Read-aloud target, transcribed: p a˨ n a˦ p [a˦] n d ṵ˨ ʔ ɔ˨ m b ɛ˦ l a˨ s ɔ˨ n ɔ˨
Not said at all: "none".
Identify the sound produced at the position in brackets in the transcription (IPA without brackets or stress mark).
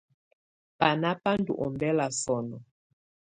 a˦